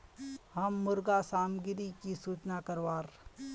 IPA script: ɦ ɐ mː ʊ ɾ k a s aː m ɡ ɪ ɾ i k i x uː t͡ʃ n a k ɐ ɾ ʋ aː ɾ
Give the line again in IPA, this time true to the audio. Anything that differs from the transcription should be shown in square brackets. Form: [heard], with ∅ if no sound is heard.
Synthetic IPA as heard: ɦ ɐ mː ʊ ɾ [ɡ] a s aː m ɡ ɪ ɾ i k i [s] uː t͡ʃ n a k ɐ ɾ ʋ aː ɾ